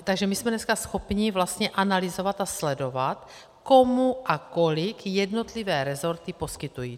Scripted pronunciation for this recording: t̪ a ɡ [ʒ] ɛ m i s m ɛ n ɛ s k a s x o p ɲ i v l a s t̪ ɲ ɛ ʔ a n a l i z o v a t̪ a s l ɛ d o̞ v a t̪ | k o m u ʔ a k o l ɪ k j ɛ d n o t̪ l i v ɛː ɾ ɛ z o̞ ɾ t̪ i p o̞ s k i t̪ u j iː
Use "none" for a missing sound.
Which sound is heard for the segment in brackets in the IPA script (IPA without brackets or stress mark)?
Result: ʒ